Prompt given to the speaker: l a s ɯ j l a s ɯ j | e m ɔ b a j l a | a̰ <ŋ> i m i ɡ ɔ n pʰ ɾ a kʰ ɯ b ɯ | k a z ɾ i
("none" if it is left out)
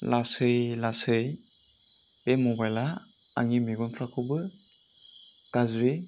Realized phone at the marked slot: ŋ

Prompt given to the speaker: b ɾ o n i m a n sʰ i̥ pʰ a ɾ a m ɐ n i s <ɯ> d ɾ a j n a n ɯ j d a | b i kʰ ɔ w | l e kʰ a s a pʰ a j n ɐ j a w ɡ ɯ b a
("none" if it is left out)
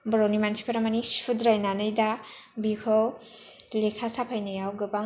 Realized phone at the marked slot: u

